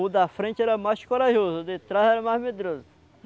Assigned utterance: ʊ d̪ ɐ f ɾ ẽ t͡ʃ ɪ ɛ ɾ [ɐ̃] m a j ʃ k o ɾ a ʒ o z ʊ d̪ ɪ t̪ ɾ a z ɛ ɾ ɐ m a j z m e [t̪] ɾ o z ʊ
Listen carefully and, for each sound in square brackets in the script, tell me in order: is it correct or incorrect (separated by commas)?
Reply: incorrect, incorrect